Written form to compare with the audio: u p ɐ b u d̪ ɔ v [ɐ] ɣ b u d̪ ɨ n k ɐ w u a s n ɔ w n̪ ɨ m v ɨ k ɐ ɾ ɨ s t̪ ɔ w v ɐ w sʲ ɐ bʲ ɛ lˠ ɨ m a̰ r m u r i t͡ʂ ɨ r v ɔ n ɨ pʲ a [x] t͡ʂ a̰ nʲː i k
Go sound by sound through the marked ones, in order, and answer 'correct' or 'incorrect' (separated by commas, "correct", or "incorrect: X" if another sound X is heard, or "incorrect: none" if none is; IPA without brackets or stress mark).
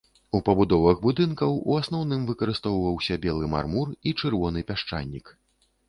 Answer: correct, incorrect: ʂ